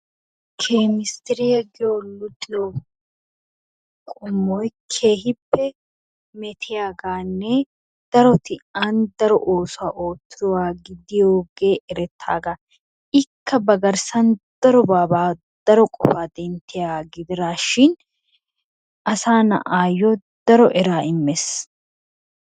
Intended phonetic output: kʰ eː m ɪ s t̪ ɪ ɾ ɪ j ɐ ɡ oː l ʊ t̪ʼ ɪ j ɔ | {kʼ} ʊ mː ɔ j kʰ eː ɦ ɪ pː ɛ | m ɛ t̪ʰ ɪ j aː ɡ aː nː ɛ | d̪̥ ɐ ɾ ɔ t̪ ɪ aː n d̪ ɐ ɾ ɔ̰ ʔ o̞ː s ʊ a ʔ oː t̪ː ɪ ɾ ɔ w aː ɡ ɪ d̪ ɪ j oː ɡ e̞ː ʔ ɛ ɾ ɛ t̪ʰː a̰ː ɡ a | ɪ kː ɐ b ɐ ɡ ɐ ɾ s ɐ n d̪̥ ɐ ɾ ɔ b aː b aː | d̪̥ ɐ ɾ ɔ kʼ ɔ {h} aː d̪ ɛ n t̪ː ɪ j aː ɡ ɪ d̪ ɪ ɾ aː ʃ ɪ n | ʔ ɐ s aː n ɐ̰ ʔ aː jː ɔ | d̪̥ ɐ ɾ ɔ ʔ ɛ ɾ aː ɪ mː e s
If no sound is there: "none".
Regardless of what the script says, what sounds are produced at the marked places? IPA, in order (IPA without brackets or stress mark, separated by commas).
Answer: kʼ, f